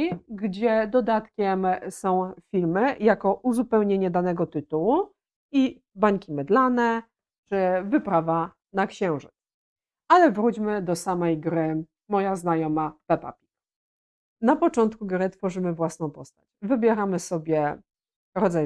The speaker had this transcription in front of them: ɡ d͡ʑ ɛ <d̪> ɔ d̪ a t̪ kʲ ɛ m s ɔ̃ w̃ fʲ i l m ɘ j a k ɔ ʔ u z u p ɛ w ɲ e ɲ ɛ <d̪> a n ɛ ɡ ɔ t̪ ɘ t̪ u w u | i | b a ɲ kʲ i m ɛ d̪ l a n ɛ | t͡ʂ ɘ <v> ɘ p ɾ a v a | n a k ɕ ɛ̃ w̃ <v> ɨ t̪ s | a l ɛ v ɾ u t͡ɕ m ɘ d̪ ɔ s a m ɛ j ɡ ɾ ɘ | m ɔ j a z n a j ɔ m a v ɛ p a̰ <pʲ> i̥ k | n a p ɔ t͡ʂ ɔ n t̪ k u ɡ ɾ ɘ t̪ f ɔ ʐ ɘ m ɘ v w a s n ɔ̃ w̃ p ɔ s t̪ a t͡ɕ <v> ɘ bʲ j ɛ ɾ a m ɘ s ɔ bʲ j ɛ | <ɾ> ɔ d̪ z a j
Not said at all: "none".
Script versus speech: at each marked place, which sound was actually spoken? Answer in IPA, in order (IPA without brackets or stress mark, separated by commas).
d̪, d̪, v, ʐ, pʲ, v, ɾ